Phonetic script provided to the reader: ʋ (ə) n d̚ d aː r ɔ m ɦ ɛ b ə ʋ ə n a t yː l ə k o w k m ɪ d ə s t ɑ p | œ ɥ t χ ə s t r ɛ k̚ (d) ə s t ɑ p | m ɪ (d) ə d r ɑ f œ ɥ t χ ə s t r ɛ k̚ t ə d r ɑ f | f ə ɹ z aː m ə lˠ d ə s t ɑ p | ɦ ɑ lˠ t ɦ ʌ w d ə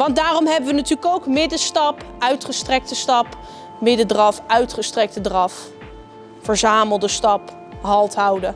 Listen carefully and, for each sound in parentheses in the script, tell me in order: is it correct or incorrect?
incorrect: ɑ, incorrect: t, correct

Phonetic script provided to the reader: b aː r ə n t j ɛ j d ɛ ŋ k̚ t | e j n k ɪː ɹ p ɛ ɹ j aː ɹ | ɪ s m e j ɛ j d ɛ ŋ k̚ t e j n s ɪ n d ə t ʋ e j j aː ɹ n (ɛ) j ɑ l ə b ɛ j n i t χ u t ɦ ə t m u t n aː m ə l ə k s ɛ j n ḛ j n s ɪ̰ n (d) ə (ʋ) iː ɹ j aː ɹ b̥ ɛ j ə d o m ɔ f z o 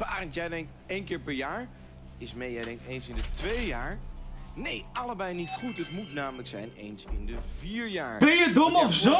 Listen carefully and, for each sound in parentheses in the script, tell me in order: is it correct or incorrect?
incorrect: e, correct, incorrect: v

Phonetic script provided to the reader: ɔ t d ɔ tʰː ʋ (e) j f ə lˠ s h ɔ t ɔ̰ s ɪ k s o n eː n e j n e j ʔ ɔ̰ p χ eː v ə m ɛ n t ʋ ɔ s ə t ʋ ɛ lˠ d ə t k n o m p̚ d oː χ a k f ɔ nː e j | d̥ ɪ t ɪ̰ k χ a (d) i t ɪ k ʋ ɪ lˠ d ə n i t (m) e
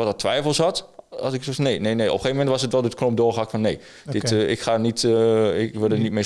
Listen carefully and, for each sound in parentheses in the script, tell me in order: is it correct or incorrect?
incorrect: ɛ, incorrect: n, correct

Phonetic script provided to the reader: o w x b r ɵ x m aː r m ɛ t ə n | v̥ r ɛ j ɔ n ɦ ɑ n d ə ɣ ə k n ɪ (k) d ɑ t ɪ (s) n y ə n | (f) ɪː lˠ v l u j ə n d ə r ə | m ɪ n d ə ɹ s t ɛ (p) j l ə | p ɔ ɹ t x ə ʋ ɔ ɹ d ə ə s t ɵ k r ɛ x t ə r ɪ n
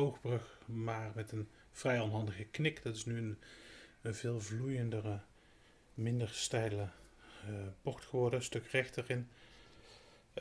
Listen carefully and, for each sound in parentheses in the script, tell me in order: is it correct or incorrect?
correct, correct, incorrect: v, incorrect: none

